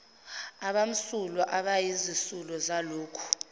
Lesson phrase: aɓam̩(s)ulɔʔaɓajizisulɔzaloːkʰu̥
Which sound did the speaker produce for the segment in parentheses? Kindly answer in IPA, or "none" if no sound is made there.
s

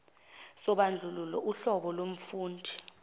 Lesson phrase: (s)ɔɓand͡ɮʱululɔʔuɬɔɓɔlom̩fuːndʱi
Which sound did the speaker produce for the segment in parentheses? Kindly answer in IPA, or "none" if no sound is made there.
s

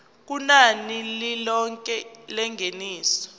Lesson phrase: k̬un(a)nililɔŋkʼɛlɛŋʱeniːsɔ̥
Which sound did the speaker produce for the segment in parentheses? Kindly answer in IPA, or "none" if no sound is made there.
a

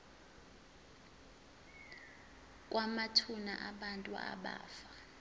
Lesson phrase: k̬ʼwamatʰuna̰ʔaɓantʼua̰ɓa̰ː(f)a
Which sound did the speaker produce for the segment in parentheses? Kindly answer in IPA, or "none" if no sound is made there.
f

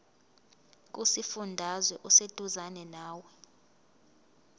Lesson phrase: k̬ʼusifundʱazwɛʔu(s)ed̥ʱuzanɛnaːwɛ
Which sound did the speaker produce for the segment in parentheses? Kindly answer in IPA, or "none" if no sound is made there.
s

